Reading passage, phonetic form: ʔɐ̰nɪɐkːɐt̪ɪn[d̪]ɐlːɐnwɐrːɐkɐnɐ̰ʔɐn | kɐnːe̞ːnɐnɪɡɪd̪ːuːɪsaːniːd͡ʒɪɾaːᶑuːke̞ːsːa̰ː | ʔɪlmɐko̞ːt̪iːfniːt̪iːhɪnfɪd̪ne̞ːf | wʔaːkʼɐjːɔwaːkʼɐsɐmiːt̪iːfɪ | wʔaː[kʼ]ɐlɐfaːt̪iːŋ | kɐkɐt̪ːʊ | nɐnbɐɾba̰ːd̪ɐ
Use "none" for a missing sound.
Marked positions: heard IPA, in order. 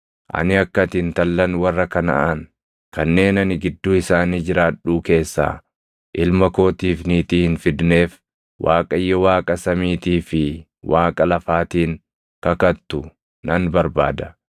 t̪, kʼ

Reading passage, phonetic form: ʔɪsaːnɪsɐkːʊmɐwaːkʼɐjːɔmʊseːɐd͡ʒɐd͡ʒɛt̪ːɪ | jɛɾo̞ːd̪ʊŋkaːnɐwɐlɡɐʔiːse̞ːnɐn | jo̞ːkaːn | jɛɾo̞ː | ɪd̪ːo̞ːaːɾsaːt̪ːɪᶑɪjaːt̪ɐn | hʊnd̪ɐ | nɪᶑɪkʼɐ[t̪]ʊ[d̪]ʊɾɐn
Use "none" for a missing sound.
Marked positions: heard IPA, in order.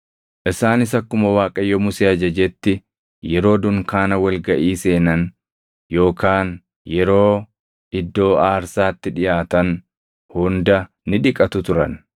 t̪, t̪

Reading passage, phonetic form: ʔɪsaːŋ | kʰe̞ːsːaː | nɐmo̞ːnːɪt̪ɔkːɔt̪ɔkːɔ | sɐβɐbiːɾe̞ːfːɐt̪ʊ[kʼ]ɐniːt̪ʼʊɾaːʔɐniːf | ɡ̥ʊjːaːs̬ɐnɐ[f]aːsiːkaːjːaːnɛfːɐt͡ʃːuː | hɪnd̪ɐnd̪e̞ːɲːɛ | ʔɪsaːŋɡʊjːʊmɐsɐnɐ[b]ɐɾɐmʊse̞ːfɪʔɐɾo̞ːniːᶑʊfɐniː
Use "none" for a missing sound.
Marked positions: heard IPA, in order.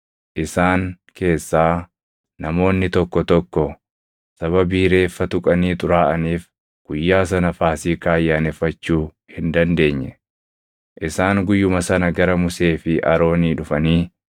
kʼ, f, ɡ

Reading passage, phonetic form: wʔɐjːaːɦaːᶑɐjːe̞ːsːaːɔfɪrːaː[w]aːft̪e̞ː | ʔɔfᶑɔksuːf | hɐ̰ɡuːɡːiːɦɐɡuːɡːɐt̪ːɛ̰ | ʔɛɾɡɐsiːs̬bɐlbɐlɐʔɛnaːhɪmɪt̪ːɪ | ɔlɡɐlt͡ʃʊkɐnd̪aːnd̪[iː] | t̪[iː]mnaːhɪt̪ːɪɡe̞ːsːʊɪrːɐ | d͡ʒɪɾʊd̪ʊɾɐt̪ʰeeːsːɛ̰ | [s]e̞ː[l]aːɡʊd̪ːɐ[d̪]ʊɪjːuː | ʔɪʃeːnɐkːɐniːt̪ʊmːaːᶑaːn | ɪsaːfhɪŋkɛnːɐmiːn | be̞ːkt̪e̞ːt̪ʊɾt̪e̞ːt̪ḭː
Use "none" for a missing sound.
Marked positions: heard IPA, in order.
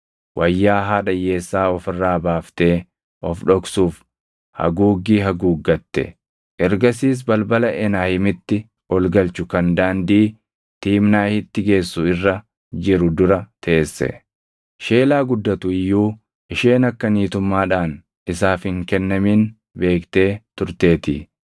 b, iː, iː, ʃ, l, t̪

